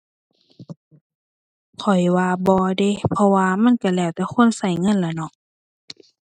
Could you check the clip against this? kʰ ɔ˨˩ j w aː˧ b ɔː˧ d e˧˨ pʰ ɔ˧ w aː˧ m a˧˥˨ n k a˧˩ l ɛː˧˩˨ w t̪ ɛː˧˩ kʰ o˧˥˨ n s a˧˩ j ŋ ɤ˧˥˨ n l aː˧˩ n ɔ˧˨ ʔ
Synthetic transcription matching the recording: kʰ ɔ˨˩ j w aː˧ b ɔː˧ d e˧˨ pʰ ɔ˧ w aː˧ m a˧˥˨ n k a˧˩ l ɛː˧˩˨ w t̪ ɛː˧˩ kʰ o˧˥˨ n s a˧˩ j ŋ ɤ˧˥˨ n l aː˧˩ n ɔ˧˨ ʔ